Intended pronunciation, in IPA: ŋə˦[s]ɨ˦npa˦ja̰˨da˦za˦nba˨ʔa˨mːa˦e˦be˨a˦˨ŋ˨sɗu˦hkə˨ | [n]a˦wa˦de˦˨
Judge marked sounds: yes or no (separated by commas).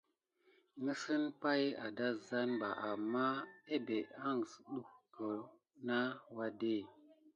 yes, yes